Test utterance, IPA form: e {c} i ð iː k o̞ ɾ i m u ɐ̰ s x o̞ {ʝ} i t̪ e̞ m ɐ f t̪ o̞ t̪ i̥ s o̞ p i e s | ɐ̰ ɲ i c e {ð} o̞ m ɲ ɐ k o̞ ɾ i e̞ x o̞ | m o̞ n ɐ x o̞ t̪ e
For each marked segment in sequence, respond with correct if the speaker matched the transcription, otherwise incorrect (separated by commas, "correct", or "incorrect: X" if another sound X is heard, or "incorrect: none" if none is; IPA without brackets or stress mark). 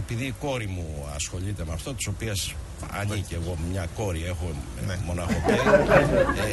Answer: incorrect: p, incorrect: ʎ, incorrect: ɣ